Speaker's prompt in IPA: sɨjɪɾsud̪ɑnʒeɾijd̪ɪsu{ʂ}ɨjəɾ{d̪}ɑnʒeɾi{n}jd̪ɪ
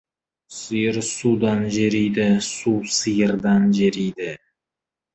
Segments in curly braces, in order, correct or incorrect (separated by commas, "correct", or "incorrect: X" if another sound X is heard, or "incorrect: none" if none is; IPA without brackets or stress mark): incorrect: s, correct, incorrect: none